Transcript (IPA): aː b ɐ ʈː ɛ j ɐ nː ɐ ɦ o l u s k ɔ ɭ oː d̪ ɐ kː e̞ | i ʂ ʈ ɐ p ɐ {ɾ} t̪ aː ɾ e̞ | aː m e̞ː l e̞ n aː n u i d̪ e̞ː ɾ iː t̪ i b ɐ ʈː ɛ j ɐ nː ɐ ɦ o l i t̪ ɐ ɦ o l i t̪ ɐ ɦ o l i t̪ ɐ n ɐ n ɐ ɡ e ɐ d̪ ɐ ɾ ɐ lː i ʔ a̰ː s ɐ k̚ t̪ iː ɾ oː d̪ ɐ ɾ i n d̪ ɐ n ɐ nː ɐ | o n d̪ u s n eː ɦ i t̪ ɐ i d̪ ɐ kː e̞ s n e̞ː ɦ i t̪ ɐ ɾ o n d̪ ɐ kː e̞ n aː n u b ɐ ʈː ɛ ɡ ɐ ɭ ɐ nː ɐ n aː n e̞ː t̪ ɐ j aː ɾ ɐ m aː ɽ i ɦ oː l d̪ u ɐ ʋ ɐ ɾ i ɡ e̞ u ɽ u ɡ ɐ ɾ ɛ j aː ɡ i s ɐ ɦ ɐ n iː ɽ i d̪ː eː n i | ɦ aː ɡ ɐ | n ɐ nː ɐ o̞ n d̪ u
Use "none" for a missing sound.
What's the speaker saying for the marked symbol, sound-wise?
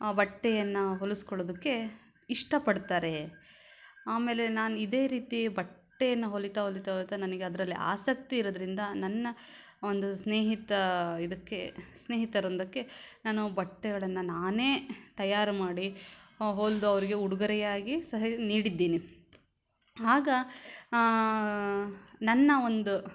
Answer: ɽ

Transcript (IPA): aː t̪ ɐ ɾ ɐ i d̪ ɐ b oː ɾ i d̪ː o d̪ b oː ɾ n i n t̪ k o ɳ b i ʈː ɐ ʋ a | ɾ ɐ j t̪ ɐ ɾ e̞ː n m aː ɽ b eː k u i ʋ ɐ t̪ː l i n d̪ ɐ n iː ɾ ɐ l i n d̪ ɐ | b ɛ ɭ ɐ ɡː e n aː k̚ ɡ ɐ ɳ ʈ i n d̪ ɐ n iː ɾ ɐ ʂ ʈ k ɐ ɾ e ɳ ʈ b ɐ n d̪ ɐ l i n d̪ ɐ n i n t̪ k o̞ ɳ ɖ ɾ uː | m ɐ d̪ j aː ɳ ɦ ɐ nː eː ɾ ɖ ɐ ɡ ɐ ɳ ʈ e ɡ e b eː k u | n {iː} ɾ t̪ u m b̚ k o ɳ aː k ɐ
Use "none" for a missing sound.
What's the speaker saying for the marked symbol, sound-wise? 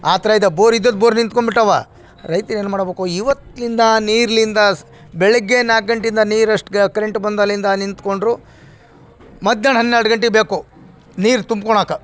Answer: iː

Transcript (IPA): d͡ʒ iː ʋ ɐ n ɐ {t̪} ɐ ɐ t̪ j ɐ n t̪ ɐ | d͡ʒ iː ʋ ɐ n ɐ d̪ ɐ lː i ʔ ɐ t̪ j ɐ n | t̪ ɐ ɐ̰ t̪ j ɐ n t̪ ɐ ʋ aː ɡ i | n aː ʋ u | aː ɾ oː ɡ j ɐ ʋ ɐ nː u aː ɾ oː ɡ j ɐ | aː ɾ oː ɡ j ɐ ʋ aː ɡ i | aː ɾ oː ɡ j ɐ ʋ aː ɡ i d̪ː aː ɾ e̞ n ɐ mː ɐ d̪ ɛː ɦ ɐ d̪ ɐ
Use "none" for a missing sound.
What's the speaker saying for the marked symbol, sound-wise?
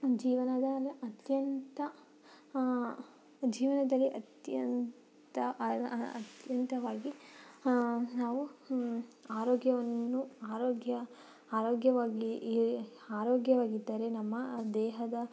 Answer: d̪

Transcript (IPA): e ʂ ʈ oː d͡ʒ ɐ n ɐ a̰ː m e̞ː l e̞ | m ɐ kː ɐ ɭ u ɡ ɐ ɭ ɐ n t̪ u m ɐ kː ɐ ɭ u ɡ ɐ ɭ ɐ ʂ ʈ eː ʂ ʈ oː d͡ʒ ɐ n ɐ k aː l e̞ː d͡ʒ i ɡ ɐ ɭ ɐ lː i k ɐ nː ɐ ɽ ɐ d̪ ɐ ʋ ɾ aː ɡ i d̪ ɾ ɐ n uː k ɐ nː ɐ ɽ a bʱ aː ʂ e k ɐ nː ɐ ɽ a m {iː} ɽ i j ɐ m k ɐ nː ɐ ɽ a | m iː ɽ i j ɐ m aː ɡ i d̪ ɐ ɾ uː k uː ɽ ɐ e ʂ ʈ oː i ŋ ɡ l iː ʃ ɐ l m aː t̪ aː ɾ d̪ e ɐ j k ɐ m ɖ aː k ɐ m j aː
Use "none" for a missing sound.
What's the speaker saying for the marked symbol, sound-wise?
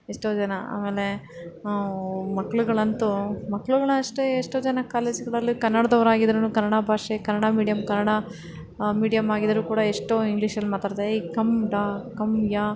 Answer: iː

